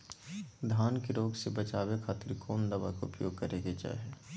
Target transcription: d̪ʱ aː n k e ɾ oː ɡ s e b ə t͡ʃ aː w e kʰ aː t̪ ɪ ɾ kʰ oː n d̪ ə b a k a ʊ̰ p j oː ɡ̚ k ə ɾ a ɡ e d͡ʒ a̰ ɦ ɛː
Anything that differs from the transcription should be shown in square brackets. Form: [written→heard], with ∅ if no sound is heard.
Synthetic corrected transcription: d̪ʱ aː n k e ɾ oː ɡ s e b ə t͡ʃ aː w e kʰ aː t̪ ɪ ɾ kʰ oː n d̪ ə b a k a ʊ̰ p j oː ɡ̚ k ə ɾ [a→e] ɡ e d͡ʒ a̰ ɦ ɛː